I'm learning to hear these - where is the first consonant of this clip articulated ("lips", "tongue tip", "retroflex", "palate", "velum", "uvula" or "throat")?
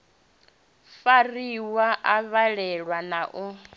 lips